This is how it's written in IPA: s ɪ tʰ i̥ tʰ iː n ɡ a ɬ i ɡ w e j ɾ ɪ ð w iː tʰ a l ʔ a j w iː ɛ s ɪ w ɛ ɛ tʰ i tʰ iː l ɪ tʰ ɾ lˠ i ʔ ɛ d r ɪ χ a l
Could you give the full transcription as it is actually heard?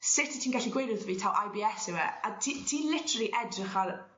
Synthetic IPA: s ɪ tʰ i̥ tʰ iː n ɡ a ɬ i ɡ w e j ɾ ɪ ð v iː tʰ a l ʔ a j b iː ɛ s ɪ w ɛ a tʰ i tʰ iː l ɪ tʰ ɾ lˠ i ʔ ɛ d r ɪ χ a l

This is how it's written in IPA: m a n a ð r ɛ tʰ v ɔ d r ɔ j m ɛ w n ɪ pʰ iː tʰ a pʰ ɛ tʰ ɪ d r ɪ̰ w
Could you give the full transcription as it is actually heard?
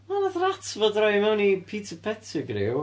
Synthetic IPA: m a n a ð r a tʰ v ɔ d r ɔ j m ɛ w n i pʰ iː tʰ ə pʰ ɛ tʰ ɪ ɡ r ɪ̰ w

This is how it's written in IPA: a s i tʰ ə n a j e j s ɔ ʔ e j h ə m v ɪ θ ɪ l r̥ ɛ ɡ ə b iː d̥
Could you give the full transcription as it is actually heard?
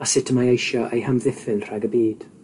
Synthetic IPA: a s ɪ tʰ ə m a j e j ʃ ɔ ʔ e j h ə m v ɪ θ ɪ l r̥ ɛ ɡ ə b iː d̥

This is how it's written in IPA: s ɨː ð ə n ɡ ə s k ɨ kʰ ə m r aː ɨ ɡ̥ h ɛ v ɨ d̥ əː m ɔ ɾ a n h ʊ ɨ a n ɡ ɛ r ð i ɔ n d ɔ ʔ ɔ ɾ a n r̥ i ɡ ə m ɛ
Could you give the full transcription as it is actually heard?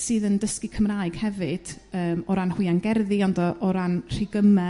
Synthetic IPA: s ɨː ð ə n d ə s k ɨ kʰ ə m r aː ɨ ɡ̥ h ɛ v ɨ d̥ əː m ɔ ɾ a n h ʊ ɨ a n ɡ ɛ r ð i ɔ n d ɔ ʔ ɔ ɾ a n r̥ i ɡ ə m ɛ

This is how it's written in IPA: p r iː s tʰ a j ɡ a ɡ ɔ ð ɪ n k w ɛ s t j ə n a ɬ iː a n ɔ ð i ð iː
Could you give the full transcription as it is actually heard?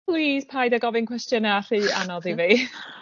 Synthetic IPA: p l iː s pʰ a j d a ɡ ɔ v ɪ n k w ɛ s t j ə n a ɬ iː a n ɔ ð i v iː

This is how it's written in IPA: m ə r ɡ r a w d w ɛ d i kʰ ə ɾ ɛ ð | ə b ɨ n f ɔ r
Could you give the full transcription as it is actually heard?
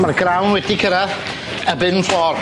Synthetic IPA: m a r ɡ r a w n w ɛ d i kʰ ə ɾ a ð | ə b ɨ n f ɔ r

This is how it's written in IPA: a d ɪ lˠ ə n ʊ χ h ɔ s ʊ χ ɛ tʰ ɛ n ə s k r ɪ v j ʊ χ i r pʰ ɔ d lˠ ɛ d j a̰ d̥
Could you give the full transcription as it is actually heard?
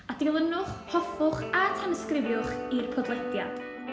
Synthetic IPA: a d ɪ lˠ ə n ʊ χ h ɔ f ʊ χ a tʰ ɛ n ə s k r ɪ v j ʊ χ i r pʰ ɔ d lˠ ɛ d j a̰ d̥

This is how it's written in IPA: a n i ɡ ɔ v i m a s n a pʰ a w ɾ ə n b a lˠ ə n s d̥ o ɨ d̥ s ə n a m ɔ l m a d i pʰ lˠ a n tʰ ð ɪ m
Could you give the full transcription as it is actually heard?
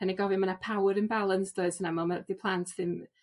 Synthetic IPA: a n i ɡ ɔ v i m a n a pʰ a w ɾ ə n b a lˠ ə n s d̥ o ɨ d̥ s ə n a m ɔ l m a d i pʰ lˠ a n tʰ ð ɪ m

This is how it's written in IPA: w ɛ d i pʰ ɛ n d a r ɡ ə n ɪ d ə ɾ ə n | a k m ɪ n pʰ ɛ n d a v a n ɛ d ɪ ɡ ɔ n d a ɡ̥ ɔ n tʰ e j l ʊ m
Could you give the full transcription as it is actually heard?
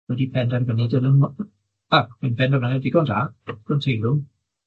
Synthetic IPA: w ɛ d i pʰ ɛ n d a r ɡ ə n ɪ d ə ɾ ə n | a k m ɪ n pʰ ɛ n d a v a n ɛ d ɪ ɡ ɔ n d a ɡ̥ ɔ n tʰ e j l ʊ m

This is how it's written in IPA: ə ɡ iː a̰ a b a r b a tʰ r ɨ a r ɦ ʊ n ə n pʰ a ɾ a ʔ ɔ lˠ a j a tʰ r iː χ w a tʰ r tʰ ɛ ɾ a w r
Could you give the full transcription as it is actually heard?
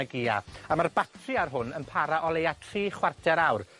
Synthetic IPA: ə ɡ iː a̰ a m a r b a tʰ r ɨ a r ɦ ʊ n ə n pʰ a ɾ a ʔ ɔ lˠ e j a tʰ r iː χ w a r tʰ ɛ ɾ a w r

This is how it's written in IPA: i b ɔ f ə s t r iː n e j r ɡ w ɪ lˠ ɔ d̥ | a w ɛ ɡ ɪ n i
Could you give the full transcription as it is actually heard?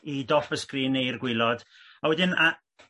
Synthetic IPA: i d ɔ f ə s k r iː n e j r ɡ w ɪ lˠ ɔ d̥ | a w ɛ d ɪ n a

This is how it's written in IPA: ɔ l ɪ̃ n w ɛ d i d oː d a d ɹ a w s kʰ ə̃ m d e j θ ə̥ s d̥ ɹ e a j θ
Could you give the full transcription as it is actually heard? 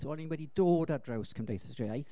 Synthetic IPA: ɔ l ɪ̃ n w ɛ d i d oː d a d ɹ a w s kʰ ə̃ m d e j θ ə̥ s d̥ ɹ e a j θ

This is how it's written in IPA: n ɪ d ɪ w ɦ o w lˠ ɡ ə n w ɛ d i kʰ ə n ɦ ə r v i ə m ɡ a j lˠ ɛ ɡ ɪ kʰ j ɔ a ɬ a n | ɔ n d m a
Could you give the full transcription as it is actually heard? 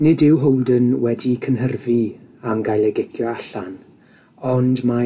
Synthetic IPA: n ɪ d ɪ w ɦ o w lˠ d ə n w ɛ d i kʰ ə n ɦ ə r v i a m ɡ a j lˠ ɛ ɡ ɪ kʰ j ɔ a ɬ a n | ɔ n d m a

